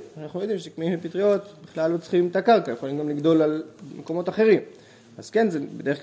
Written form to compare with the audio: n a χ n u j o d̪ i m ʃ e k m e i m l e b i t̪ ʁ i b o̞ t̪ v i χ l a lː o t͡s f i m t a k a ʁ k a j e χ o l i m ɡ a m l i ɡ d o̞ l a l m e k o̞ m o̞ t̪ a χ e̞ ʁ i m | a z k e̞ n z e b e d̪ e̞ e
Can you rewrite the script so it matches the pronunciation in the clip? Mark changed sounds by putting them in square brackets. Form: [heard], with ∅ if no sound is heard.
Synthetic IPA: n a χ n u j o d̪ i m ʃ e k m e i m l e [p] i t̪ ʁ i [∅] o̞ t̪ [b] i χ l a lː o t͡s [χ] i m t a k a ʁ k a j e χ o l i m ɡ a m l i ɡ d o̞ l a l m e k o̞ m o̞ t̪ a χ e̞ ʁ i m | a z k e̞ n z e b e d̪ e̞ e